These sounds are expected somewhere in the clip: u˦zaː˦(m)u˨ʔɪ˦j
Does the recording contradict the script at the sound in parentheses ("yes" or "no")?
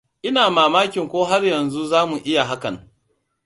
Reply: no